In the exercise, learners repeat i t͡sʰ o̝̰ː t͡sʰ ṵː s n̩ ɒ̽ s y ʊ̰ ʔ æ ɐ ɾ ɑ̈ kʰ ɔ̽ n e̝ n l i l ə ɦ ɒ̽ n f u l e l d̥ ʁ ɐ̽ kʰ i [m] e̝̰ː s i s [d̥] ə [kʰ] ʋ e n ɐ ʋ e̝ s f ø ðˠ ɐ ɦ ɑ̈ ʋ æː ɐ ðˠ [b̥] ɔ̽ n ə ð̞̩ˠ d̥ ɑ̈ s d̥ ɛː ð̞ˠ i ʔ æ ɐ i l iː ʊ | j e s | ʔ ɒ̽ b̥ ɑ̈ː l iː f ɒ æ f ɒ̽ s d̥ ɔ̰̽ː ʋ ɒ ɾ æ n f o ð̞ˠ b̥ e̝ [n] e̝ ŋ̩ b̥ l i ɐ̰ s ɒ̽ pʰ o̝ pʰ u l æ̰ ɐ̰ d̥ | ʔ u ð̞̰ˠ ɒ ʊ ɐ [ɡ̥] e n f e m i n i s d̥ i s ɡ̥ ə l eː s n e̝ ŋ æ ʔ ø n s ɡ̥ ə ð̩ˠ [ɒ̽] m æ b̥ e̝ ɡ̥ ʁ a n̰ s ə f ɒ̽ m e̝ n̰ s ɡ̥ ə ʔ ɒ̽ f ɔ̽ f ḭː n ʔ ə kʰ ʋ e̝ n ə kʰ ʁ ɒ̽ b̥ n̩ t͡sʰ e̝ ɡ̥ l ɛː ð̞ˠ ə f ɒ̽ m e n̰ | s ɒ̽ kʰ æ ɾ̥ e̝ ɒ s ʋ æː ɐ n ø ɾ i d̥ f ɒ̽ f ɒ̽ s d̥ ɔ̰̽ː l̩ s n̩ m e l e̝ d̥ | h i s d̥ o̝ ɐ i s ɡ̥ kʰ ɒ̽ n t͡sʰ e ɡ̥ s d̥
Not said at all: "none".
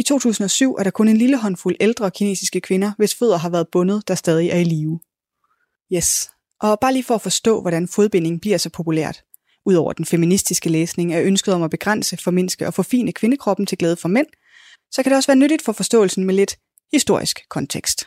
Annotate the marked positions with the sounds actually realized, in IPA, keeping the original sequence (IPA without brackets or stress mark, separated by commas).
n, ɡ̥, kʰ, b̥, n, d̥, ɒ̽